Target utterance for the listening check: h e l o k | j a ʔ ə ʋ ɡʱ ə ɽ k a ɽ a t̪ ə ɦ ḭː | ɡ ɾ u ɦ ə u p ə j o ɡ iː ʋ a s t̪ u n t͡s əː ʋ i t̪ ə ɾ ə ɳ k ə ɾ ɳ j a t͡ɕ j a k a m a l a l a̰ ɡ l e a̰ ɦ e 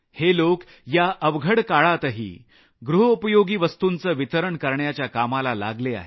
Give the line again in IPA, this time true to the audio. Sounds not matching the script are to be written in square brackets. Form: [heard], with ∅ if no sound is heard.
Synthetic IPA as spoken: h e l o k | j a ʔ ə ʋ ɡʱ ə ɽ k a [ɭ] a t̪ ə ɦ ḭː | ɡ ɾ u ɦ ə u p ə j o ɡ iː ʋ [ə] s t̪ u n t͡s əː ʋ i t̪ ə ɾ ə ɳ k ə ɾ ɳ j a t͡ɕ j a k a m a l a l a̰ ɡ l e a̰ ɦ e

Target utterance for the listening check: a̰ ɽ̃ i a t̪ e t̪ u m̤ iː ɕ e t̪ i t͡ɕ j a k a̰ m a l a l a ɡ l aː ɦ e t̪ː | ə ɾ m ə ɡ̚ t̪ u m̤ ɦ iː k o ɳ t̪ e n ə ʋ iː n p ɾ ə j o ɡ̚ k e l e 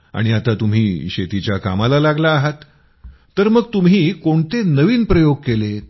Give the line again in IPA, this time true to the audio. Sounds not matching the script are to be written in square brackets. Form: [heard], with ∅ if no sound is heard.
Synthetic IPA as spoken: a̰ ɽ̃ i a t̪ [a] t̪ u m̤ iː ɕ e t̪ i t͡ɕ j a k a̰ m a l a l a ɡ l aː ɦ [a] t̪ː | ə ɾ m ə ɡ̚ t̪ u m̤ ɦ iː k o ɳ t̪ e n ə ʋ iː n p ɾ ə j o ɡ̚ k e l e

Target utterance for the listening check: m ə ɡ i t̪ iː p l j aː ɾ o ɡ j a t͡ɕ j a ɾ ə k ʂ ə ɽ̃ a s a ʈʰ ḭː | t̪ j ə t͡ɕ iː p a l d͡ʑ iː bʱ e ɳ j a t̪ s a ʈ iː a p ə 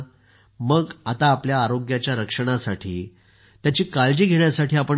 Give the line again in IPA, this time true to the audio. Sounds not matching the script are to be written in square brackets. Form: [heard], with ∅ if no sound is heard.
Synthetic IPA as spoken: m ə ɡ [a] t̪ [aː] p l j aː ɾ o ɡ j a t͡ɕ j a ɾ ə k ʂ ə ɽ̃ a s a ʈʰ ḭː | t̪ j [a] t͡ɕ iː [k] a l d͡ʑ iː [ɡʱ] e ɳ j a [∅] s a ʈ iː a p ə

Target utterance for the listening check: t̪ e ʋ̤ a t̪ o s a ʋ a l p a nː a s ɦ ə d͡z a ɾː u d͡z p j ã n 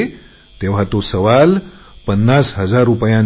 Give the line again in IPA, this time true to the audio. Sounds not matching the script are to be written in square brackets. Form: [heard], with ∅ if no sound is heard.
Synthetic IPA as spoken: t̪ e ʋ̤ a t̪ o s [ə] ʋ a l p [ə] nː a s ɦ ə d͡z a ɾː u [∅] p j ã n

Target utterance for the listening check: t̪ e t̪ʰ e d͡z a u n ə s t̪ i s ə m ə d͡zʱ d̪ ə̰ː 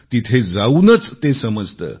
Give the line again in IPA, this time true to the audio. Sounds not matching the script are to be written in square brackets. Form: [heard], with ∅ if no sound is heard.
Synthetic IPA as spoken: t̪ [i] t̪ʰ e d͡z a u n ə [t͡s] t̪ [e] s ə m ə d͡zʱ [t̪] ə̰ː

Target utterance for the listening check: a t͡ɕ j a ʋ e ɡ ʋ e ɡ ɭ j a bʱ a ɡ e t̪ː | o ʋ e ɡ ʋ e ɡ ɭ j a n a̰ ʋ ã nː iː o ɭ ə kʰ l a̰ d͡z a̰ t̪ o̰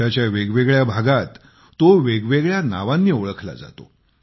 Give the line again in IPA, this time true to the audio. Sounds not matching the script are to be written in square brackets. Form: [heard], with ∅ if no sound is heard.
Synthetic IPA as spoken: a t͡ɕ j a ʋ e ɡ ʋ e ɡ ɭ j a bʱ a ɡ [a] t̪ː | o ʋ e ɡ ʋ e ɡ ɭ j a n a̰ ʋ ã nː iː o ɭ ə kʰ l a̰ d͡z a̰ t̪ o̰

